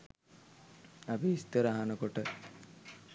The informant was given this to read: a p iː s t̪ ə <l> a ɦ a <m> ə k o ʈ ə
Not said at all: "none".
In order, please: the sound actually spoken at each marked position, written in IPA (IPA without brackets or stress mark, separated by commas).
ɾ, n